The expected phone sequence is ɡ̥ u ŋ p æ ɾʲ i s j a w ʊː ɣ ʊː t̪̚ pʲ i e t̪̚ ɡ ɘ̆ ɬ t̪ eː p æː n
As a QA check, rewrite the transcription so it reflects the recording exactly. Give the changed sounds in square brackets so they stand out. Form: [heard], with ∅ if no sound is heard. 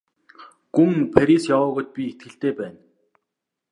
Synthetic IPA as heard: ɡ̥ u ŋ [pʰ] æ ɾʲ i s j a w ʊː ɣ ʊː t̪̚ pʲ i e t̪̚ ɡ ɘ̆ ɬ t̪ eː p æː n